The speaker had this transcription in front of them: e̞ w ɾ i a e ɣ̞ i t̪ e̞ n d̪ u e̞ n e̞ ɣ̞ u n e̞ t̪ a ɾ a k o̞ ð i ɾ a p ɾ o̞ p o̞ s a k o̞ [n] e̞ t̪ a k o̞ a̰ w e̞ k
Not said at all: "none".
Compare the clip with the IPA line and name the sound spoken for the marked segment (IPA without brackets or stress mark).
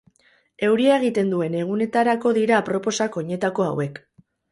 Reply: ɲ